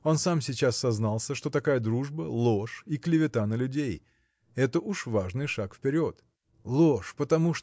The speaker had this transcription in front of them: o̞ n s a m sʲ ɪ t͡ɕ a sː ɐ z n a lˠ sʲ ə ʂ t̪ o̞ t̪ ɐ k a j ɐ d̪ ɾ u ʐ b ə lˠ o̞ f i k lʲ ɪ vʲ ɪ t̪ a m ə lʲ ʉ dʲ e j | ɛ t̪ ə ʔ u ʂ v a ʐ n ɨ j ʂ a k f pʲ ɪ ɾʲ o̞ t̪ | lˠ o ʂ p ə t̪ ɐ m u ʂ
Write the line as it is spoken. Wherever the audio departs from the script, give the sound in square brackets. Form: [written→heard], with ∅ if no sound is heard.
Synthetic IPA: o̞ n s a m sʲ ɪ t͡ɕ a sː ɐ z n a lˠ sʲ ə ʂ t̪ o̞ t̪ ɐ k a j [ɐ→ə] d̪ ɾ u ʐ b ə lˠ o̞ [f→ʂ] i k lʲ ɪ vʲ ɪ t̪ a [m→n] ə lʲ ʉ dʲ e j | ɛ t̪ ə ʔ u ʂ v a ʐ n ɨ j ʂ a k f pʲ ɪ ɾʲ o̞ t̪ | lˠ o ʂ p ə t̪ ɐ m u ʂ